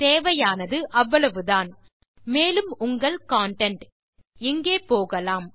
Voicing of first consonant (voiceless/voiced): voiceless